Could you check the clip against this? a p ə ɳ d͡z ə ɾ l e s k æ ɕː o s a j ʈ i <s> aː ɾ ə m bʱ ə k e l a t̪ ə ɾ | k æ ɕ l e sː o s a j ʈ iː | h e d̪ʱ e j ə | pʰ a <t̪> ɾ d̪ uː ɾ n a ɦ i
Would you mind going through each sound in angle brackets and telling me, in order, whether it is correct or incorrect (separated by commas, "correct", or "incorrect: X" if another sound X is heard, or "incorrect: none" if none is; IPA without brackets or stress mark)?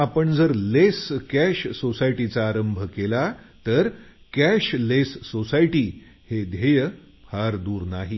incorrect: t͡s, incorrect: none